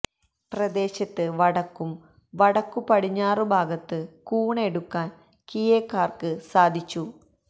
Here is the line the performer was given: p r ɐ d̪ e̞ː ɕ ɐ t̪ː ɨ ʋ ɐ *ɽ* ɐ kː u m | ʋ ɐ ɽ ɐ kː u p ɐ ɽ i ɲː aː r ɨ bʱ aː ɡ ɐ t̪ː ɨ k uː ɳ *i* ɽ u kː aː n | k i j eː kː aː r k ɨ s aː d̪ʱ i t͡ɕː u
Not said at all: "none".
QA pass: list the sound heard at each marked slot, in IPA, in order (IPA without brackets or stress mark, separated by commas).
ɽ, e